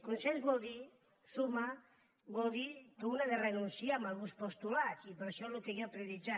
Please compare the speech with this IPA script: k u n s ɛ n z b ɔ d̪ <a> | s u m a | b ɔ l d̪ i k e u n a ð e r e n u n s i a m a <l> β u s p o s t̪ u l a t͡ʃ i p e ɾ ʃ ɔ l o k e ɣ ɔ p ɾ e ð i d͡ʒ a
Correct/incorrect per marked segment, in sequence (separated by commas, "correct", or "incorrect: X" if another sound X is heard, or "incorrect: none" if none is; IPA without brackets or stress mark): incorrect: i, correct